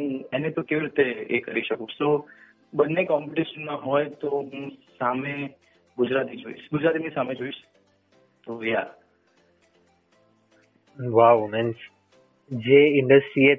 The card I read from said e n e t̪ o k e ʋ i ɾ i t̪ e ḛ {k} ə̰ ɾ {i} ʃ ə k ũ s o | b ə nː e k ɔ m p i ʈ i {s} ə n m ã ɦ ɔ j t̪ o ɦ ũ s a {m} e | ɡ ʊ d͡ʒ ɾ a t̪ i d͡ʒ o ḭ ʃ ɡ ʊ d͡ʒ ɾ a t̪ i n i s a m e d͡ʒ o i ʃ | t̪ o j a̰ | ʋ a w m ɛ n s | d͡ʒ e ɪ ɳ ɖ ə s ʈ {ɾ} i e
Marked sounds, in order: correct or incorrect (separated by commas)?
correct, correct, incorrect, correct, correct